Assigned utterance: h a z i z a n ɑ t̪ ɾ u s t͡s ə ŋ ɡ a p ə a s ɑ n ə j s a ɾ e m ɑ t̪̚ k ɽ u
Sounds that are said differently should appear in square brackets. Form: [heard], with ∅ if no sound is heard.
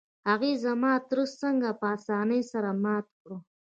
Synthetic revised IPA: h a [ɣ] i z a [m] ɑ t̪ ɾ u s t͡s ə ŋ ɡ a p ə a s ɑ n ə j s a ɾ [a] m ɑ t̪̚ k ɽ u